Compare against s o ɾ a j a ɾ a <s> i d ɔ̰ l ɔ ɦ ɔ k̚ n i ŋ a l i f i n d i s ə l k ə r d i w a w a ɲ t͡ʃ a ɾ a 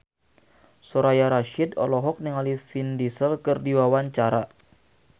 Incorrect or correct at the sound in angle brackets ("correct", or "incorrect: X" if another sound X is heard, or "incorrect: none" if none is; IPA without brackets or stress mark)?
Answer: incorrect: ʃ